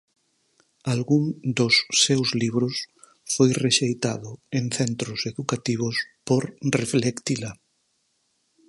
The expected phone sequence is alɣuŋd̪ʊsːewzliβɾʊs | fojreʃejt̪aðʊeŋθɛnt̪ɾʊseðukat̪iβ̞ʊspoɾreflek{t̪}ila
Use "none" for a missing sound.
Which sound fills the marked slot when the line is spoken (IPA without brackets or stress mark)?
t̪